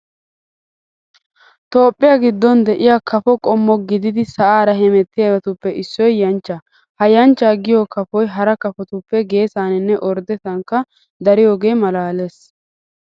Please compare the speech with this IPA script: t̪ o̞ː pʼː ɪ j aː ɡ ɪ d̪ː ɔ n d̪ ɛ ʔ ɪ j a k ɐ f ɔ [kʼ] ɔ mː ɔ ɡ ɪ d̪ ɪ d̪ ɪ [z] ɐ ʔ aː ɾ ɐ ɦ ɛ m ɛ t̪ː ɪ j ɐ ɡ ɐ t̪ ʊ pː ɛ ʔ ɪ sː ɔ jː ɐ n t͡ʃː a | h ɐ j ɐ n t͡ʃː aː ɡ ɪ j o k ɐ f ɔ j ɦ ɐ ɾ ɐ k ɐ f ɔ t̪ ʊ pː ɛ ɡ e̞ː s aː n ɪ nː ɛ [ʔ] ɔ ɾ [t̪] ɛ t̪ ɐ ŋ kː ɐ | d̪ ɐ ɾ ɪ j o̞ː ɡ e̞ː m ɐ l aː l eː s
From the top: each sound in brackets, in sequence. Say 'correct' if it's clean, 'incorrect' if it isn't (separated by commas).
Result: correct, incorrect, correct, incorrect